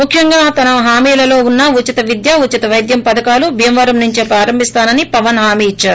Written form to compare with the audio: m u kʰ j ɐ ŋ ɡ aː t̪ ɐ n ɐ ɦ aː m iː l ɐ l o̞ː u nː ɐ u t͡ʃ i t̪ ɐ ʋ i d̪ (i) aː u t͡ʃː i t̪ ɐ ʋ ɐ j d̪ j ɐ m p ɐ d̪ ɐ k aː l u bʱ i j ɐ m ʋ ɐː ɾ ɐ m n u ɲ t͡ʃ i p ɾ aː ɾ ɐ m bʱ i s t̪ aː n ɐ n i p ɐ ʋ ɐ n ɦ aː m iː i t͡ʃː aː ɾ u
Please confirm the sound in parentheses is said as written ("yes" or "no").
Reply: no